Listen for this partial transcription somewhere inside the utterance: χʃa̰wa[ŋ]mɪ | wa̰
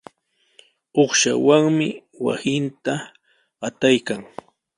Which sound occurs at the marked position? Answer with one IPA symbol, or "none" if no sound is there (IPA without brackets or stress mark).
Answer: ŋ